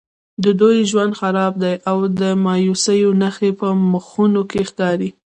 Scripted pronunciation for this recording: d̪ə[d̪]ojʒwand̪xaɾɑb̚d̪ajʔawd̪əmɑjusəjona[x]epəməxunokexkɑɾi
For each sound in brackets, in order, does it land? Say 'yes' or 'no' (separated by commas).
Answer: yes, yes